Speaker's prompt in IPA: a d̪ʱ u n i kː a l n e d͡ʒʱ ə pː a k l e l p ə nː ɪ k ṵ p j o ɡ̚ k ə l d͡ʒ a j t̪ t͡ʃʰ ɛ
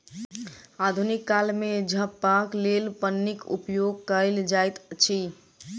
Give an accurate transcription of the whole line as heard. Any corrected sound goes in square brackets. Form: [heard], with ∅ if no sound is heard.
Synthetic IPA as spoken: a d̪ʱ u n i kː a l [m] e d͡ʒʱ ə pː a k l e l p ə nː [i] k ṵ p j o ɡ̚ k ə l d͡ʒ a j t̪ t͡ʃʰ [i]

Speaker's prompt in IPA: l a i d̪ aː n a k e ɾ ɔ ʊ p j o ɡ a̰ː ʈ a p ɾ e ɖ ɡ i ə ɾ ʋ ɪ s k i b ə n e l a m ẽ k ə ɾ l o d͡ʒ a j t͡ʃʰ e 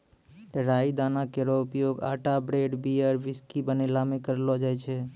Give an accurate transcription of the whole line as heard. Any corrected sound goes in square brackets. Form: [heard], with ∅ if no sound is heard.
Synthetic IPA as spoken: [ɾ] a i d̪ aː n a k e ɾ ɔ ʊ p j o ɡ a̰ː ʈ a [b] ɾ e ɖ [b] i ə ɾ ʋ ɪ s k i b ə n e l a m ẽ k ə ɾ l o d͡ʒ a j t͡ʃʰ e

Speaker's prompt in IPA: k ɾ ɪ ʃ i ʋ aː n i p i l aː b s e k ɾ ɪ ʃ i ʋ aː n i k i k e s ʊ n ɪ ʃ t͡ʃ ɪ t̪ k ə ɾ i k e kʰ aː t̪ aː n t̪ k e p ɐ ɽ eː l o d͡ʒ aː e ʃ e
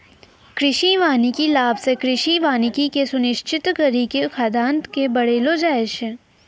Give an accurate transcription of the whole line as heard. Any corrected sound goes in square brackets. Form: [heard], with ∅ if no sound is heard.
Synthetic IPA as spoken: k ɾ ɪ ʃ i ʋ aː n i [k] i l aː b s e k ɾ ɪ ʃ i ʋ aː n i k i k e s ʊ n ɪ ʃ t͡ʃ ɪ t̪ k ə ɾ i k e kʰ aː [d̪] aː n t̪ k e [b] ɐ ɽ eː l o d͡ʒ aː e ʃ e

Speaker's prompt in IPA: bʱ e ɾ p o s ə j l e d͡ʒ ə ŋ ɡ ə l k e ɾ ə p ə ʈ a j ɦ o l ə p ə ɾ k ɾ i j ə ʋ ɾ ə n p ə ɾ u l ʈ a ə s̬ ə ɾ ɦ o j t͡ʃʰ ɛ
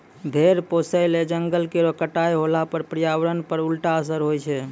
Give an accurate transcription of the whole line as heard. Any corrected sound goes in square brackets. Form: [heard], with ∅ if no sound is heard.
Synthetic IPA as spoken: bʱ e ɾ p o s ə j l e d͡ʒ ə ŋ ɡ ə l k e ɾ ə [k] ə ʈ a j ɦ o l [a] p ə ɾ [p] ɾ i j [a] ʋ ɾ ə n p ə ɾ u l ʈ a ə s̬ ə ɾ ɦ o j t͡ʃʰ ɛ

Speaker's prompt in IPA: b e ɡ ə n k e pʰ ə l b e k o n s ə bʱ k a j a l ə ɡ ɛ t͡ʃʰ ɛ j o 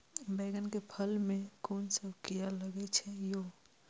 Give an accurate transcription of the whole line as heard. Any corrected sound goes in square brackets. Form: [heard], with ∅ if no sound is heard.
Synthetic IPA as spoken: b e ɡ ə n k e pʰ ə l [m] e k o n s ə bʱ k [i] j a l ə ɡ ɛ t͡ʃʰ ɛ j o

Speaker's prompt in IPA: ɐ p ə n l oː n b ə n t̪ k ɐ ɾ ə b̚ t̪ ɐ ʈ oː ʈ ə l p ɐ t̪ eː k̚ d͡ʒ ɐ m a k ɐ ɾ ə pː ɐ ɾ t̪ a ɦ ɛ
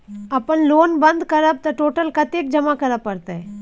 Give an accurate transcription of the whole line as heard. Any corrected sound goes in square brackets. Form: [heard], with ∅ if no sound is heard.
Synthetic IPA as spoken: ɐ p ə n l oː n b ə n [d̪] k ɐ ɾ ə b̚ t̪ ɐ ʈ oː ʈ ə l [k] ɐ t̪ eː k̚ d͡ʒ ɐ m a k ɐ ɾ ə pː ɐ ɾ t̪ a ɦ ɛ

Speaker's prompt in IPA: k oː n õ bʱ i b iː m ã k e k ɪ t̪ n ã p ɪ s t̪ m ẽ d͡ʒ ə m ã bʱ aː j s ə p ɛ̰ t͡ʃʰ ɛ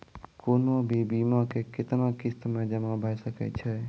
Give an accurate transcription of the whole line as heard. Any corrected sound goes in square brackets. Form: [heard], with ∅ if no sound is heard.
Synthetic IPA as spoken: k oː n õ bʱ i b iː m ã k e k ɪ t̪ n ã [k] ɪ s t̪ m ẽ d͡ʒ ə m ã bʱ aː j s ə [k] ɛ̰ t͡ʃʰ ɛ

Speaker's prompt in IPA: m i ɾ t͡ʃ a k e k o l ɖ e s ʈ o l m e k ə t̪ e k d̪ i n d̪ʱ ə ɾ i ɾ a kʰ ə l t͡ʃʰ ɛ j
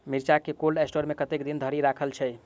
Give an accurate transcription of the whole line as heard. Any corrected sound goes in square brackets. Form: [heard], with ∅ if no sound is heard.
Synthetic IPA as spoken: m i ɾ t͡ʃ a k e k o l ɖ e s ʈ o [ɾ] m e k ə t̪ e k d̪ i n d̪ʱ ə ɾ i ɾ a kʰ ə l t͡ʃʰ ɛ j

